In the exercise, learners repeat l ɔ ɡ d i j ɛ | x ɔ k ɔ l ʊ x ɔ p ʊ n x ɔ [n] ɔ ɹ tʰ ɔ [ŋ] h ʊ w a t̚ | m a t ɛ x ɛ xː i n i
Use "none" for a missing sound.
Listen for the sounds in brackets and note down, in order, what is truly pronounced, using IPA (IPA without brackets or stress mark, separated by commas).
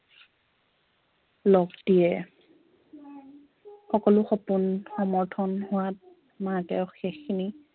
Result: m, n